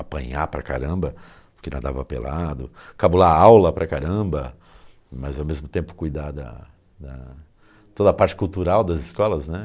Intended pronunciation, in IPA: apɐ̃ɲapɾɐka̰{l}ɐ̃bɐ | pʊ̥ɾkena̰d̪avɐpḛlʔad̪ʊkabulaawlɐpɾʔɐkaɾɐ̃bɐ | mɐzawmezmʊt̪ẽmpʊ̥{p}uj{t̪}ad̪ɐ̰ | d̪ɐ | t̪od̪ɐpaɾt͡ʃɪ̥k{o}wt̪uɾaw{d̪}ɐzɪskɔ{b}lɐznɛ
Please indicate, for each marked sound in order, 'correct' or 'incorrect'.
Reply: incorrect: ɾ, incorrect: k, incorrect: d̪, incorrect: u, correct, incorrect: none

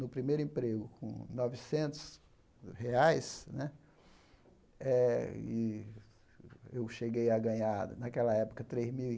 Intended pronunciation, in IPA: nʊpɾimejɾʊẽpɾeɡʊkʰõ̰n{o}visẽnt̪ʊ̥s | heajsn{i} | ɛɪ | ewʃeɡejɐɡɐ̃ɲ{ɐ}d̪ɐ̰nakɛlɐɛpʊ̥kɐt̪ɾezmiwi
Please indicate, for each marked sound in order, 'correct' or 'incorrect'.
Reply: incorrect: ɔ, incorrect: ɛ, incorrect: a

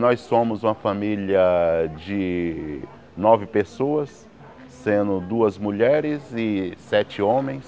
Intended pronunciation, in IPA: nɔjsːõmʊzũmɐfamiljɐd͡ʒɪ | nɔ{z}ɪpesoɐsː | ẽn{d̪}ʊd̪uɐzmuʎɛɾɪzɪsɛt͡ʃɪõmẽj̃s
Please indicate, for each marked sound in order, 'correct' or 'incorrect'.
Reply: incorrect: v, correct

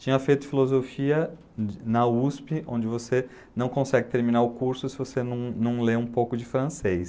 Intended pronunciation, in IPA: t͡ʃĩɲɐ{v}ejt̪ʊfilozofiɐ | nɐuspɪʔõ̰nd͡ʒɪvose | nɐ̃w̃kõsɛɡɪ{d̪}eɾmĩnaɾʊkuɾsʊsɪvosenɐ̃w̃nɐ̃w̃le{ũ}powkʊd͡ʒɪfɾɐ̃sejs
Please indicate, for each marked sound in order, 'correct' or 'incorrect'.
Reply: incorrect: f, incorrect: t̪, correct

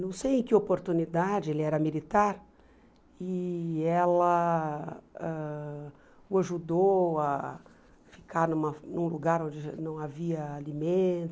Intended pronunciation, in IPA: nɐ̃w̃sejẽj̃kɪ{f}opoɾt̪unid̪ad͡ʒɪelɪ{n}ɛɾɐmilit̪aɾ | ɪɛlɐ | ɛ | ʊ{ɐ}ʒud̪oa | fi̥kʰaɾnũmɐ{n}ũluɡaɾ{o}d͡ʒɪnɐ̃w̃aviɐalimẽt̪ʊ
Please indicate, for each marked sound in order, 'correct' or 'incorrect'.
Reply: incorrect: none, incorrect: none, incorrect: a, correct, incorrect: õ

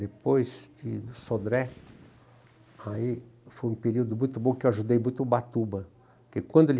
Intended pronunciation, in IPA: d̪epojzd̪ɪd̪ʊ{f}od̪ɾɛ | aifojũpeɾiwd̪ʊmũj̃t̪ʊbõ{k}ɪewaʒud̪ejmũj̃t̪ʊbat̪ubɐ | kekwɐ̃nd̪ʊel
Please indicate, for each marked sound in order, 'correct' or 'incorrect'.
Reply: incorrect: s, correct

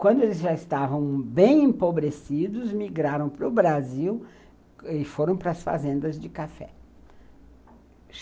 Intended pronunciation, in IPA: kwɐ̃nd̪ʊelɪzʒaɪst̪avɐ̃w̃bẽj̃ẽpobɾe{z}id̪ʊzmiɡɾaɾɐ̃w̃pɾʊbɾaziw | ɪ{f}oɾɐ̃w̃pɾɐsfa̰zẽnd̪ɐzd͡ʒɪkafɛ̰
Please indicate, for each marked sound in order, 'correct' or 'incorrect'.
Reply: incorrect: s, correct

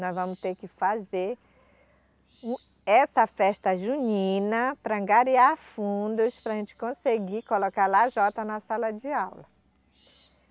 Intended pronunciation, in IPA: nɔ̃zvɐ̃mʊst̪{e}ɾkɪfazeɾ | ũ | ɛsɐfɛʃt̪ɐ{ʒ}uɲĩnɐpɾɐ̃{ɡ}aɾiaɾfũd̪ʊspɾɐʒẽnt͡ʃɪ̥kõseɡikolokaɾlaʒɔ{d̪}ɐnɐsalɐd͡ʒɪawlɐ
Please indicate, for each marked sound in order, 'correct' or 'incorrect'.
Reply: correct, correct, correct, incorrect: t̪

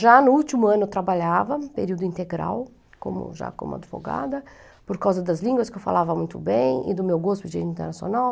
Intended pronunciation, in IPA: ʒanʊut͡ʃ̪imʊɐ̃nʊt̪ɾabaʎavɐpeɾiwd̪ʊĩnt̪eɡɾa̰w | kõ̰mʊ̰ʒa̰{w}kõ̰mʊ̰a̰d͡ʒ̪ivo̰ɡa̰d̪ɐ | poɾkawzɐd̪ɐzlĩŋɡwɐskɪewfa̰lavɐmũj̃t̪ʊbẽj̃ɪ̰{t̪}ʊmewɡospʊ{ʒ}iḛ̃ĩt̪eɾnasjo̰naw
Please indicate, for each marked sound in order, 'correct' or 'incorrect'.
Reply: incorrect: none, incorrect: d̪, incorrect: d͡ʒ

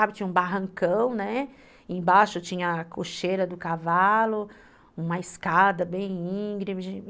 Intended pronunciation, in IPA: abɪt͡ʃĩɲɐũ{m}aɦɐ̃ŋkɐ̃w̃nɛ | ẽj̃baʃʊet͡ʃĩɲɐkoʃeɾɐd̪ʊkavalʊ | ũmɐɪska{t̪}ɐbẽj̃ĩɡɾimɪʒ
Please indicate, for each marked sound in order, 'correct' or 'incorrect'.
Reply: incorrect: b, incorrect: d̪

